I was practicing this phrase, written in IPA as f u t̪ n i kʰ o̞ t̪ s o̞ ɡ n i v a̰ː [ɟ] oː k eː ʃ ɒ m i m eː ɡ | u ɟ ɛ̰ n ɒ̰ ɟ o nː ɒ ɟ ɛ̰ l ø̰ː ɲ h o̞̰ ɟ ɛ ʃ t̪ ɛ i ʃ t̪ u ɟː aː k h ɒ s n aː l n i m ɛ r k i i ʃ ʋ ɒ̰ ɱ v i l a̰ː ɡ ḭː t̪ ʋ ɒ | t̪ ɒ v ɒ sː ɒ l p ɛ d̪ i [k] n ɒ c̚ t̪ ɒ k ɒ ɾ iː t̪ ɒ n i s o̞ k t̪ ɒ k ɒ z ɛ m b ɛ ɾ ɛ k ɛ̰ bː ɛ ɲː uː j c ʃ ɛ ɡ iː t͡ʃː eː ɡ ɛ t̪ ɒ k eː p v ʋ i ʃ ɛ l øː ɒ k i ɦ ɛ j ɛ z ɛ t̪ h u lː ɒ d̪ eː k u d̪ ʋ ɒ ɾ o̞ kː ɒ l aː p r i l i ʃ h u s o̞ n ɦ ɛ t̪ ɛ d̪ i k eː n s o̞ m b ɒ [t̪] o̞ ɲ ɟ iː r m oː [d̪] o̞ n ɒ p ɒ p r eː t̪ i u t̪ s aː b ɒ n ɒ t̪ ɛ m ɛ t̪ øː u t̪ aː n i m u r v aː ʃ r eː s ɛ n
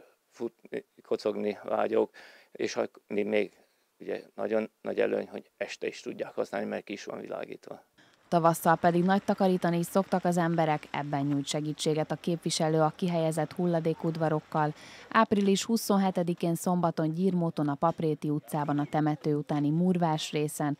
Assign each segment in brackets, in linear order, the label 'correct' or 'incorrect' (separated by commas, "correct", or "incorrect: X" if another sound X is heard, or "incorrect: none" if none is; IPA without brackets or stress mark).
correct, incorrect: ɡ, correct, incorrect: t̪